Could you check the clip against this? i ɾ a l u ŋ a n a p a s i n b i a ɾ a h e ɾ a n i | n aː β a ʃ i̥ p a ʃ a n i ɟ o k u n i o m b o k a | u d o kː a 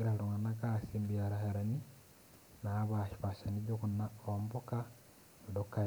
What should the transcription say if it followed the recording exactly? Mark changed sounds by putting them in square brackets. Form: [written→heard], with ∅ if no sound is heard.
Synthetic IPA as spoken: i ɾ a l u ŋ a n a [p→k] a s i [n→m] b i a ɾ a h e ɾ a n i | n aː β a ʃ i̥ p a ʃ a n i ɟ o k u n [i→a] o m b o k a | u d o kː a

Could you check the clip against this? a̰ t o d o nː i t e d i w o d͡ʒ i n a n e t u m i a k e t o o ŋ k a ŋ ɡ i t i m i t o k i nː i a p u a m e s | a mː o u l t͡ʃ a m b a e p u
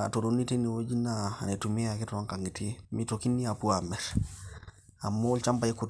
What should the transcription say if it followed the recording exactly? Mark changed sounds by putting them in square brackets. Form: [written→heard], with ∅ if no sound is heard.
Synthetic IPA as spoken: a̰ t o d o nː i t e [d→n] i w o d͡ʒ i n a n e t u m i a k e t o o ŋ k a ŋ ɡ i t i m i t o k i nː i a p u a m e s | a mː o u l t͡ʃ a m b a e [p→k] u

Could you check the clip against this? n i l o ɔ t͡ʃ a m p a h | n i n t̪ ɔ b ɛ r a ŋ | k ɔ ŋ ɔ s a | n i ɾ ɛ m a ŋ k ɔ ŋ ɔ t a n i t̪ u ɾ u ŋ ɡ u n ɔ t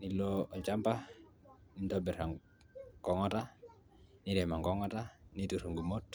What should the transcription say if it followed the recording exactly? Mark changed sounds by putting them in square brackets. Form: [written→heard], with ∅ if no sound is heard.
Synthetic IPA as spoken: n i l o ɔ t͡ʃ a m p a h | n i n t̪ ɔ b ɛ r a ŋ | k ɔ ŋ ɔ [s→t] a | n i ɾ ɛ m a ŋ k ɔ ŋ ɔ t a n i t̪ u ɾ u ŋ ɡ u [n→m] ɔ t

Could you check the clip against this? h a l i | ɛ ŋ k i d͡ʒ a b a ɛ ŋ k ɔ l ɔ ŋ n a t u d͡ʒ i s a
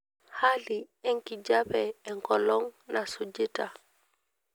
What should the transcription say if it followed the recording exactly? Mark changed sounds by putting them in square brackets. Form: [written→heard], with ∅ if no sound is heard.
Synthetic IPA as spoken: h a l i | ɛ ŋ k i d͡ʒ a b [a→ɛ] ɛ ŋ k ɔ l ɔ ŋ n a [t→s] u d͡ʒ i [s→t] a

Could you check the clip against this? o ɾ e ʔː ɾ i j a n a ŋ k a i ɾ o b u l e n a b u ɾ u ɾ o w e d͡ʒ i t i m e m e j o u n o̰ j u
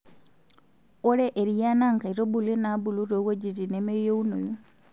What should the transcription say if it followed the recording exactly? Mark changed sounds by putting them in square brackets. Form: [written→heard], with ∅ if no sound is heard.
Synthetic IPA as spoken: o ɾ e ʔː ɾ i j a n a ŋ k a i ɾ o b u l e n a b u [ɾ→l] u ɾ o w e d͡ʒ i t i [m→n] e m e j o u n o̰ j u

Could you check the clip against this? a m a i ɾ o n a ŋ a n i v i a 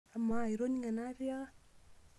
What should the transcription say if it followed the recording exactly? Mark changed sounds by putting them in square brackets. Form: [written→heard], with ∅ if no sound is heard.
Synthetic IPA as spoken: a m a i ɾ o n [a→i] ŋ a n [i→a] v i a

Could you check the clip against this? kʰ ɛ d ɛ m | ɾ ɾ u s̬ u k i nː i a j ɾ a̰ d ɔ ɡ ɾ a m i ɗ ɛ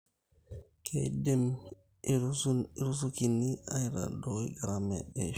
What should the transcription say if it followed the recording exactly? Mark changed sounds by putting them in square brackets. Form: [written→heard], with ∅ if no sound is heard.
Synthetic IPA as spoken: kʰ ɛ d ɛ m | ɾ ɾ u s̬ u k i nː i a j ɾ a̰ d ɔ ɡ ɾ a m [i→ɛ] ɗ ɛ

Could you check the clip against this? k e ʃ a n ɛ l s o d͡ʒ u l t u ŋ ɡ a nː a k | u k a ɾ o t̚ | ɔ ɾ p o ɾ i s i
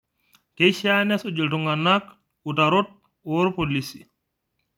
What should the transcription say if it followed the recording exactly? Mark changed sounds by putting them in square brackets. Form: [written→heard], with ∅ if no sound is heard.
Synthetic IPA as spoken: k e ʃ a n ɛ [l→∅] s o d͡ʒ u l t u ŋ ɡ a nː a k | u [k→t] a ɾ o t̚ | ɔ ɾ p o [ɾ→l] i s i

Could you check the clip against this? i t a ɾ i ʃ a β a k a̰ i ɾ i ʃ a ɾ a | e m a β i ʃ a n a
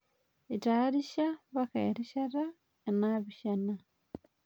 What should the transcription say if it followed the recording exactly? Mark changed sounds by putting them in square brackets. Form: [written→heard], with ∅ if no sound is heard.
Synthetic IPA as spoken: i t a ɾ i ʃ a β a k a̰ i ɾ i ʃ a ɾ a | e [m→n] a β i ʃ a n a

